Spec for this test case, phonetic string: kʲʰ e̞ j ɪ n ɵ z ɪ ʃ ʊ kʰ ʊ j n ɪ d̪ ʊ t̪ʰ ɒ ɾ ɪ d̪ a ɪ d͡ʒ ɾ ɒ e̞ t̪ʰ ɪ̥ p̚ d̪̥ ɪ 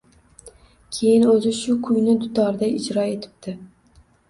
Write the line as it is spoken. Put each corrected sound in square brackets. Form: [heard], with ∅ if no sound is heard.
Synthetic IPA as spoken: kʲʰ e̞ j ɪ n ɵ z ɪ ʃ ʊ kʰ ʊ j n ɪ d̪ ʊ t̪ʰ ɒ ɾ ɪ d̪ a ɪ d͡ʒ ɾ ɒ e̞ t̪ʰ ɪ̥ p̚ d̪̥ ɪ